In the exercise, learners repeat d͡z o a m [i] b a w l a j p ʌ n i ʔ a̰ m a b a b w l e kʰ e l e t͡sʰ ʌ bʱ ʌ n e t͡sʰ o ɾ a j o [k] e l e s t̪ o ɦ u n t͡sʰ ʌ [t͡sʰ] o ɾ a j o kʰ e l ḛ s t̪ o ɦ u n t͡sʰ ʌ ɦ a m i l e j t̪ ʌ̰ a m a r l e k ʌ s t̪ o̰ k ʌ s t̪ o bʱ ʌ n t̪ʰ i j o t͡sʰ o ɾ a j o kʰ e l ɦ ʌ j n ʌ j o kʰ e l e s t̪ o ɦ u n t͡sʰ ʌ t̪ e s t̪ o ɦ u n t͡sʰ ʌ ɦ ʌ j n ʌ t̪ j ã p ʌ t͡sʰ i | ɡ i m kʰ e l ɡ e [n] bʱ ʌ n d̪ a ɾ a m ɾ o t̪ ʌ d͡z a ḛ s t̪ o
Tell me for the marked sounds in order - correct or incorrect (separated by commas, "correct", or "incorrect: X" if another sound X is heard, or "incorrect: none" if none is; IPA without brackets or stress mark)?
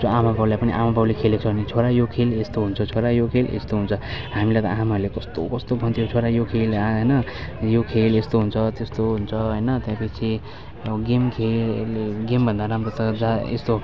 incorrect: a, incorrect: kʰ, correct, incorrect: m